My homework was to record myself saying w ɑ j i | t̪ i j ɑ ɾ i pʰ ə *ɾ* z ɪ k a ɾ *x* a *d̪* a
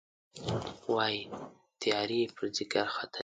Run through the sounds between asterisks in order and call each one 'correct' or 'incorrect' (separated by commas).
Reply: correct, correct, incorrect